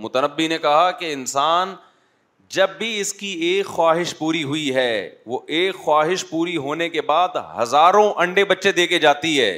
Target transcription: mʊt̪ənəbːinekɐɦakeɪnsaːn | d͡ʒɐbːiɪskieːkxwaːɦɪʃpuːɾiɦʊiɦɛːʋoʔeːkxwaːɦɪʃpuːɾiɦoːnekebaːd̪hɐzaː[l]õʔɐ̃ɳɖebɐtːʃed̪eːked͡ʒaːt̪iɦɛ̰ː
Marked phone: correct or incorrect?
incorrect